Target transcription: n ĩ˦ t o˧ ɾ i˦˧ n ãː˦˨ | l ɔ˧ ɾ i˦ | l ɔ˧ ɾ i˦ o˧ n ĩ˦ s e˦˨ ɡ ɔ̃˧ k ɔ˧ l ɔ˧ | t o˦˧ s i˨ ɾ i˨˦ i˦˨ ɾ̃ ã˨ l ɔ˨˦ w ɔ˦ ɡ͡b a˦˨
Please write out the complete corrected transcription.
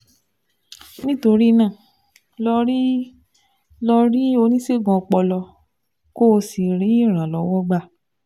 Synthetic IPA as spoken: n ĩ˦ t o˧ ɾ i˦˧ n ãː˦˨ | l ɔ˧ ɾ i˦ | l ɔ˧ ɾ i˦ o˧ n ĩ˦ s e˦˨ ɡ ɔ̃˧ k͡p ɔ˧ l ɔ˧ | k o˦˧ s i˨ ɾ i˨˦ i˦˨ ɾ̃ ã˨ l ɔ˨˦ w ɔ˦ ɡ͡b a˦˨